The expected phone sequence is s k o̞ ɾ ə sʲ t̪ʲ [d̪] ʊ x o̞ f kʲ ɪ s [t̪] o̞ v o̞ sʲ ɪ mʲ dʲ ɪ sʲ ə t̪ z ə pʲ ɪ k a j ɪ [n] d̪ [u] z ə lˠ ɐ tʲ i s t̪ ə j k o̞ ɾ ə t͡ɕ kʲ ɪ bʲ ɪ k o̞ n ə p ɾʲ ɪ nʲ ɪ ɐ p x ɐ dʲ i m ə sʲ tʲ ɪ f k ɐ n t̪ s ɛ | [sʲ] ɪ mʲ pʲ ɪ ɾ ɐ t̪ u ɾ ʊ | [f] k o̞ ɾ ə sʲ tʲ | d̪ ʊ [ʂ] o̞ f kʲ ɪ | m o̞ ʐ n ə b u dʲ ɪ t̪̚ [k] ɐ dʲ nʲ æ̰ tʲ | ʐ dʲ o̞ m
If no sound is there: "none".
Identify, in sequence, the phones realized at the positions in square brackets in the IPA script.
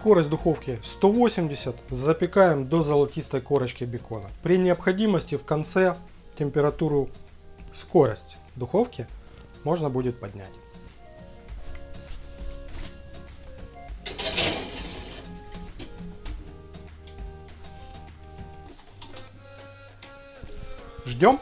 d̪, t̪, m, o, tʲ, s, x, p

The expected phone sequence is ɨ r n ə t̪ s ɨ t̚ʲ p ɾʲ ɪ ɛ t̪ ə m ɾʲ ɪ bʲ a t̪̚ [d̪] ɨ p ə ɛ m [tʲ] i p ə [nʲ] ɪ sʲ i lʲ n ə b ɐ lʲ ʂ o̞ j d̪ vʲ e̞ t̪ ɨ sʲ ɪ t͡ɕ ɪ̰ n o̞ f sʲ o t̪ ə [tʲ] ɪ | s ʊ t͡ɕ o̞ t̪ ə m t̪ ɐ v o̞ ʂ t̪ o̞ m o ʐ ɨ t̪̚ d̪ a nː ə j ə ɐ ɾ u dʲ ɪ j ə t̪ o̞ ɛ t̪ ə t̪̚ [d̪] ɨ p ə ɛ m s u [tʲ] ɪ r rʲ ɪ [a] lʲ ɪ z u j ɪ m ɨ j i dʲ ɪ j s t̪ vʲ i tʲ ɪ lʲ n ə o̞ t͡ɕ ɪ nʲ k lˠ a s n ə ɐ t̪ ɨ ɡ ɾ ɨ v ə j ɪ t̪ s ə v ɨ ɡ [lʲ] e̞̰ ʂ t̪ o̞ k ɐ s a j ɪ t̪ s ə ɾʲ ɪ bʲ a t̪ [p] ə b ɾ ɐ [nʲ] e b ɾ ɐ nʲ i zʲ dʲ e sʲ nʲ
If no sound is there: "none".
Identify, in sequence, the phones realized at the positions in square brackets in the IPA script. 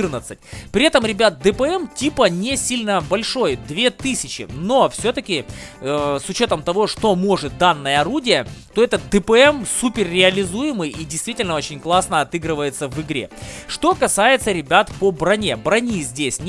d̪, tʲ, nʲ, kʲ, d̪, pʲ, ɐ, ɾʲ, p, nʲ

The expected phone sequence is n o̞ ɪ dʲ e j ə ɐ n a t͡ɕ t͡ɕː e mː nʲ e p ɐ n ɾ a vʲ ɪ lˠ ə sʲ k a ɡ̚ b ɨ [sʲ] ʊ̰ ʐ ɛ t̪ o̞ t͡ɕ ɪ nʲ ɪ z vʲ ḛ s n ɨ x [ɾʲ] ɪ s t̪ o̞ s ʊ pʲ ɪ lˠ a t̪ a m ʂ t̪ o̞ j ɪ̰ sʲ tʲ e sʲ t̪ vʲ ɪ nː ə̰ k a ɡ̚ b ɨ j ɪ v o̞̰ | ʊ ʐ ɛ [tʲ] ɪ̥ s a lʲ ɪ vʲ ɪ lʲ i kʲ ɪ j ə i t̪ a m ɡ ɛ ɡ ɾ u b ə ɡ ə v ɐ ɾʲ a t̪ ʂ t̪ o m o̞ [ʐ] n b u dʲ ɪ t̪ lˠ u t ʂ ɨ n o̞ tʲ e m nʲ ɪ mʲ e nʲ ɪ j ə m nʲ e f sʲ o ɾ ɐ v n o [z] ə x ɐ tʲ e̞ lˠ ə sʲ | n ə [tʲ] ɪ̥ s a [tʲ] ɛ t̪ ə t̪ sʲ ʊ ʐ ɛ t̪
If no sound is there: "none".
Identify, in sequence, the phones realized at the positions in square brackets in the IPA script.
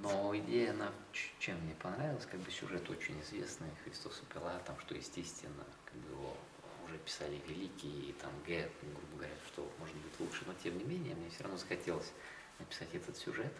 sʲ, ɾʲ, pʲ, ʐ, z, pʲ, tʲ

